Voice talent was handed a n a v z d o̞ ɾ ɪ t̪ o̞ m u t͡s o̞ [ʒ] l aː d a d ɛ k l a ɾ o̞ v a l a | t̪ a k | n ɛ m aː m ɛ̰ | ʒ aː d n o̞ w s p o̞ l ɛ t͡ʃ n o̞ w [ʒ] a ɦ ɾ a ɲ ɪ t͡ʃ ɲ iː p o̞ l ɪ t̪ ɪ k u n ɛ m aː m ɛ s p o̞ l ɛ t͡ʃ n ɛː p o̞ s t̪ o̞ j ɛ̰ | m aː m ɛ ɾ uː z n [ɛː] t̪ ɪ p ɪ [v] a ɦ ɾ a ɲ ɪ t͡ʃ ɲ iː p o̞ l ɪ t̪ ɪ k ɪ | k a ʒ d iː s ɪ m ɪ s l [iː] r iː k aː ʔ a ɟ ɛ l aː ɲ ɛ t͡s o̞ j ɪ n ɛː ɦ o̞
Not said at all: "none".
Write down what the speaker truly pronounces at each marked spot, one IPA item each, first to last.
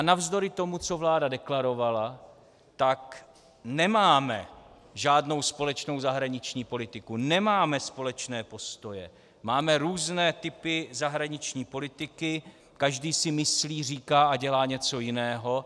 v, z, ɛː, z, iː

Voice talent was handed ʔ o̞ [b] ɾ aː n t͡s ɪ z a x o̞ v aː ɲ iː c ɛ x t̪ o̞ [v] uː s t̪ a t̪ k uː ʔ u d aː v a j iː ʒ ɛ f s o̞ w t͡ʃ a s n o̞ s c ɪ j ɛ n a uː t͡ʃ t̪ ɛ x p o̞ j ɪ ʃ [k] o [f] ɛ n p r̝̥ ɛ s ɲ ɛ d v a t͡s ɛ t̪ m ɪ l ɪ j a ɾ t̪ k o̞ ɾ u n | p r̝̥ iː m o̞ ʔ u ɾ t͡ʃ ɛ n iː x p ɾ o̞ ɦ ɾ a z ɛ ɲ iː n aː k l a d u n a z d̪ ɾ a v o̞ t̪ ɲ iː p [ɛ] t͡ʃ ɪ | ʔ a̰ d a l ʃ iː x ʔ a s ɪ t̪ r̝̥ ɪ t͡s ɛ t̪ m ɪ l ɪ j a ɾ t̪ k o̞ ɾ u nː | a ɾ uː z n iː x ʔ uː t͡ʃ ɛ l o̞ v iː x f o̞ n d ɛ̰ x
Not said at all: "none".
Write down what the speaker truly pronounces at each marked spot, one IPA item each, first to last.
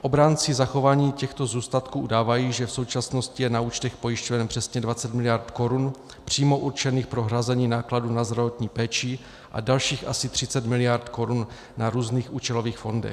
b, z, c, v, ɛː

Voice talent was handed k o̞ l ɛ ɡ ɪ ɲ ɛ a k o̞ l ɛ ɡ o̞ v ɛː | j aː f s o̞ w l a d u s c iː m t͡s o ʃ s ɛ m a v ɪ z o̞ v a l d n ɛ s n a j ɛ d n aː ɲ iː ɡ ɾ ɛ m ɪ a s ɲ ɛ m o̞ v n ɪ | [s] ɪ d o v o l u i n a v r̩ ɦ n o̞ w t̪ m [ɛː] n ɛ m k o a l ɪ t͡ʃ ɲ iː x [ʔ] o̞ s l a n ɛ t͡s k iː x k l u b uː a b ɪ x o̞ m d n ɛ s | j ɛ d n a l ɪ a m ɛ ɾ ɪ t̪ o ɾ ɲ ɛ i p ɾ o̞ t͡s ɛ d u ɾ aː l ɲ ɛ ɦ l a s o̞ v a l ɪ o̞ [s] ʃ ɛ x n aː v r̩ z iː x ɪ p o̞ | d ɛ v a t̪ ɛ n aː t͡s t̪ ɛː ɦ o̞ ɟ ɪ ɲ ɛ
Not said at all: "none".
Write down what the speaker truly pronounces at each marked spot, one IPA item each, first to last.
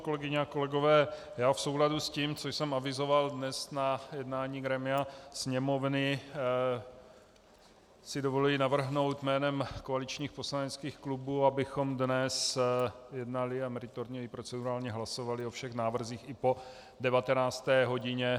s, ɛː, p, f

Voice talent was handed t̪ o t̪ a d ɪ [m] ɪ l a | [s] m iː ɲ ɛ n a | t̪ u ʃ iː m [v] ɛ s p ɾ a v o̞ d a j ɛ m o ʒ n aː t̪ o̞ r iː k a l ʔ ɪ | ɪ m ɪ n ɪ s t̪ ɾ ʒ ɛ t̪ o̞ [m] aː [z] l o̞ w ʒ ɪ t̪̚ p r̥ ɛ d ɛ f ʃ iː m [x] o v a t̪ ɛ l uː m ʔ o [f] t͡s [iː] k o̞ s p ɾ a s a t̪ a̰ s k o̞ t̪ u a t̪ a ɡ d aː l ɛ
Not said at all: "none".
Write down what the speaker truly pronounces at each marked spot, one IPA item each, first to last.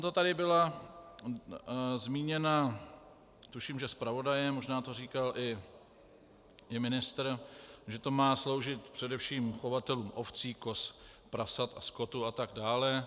b, z, ʒ, m, s, x, f, iː

